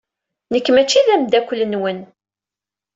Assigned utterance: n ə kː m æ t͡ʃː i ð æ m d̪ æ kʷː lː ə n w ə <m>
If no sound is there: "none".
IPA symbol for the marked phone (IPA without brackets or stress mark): n